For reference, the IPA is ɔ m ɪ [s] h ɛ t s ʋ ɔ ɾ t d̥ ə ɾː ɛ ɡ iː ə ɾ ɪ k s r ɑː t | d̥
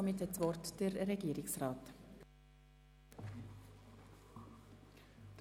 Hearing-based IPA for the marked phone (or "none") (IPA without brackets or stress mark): t